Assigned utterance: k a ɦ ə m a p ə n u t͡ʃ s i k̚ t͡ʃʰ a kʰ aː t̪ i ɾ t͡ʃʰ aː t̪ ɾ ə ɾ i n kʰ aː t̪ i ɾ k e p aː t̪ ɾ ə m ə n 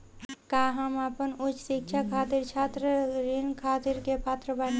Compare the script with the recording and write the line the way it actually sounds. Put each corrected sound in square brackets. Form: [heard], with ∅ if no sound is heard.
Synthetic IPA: k a ɦ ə m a p ə n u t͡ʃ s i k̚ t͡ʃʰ a kʰ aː t̪ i ɾ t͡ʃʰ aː t̪ ɾ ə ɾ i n kʰ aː t̪ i ɾ k e p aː t̪ ɾ ə [b] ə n